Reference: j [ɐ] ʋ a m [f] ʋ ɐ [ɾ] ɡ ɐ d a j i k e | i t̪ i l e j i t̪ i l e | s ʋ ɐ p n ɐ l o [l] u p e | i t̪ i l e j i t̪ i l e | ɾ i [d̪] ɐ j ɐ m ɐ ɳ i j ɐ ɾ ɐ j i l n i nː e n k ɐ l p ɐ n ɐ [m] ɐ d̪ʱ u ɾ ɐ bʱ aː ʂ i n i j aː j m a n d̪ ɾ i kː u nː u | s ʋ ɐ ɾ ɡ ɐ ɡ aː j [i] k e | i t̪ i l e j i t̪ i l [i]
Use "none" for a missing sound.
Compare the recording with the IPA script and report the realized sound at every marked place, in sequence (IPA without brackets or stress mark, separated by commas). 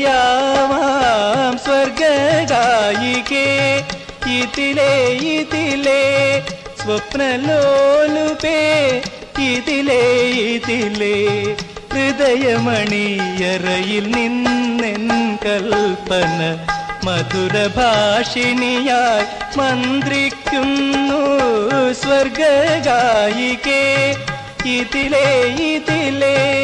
a, s, ɾ, l, d̪, m, i, e